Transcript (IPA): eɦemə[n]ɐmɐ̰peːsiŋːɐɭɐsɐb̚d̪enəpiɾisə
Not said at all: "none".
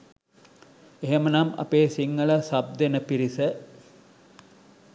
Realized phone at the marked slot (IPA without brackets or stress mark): n